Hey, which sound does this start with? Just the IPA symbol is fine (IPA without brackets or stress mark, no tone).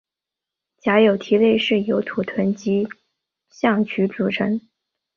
t͡ɕ